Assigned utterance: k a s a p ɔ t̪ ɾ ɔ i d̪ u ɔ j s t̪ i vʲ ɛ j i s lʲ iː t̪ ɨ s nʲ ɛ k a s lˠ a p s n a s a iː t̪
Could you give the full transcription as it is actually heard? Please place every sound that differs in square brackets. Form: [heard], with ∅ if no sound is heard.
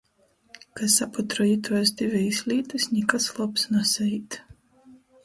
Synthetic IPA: k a s a p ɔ t̪ ɾ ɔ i [t̪] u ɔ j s [d̪] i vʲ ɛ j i s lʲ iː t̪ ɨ s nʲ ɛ k a s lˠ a p s n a s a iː t̪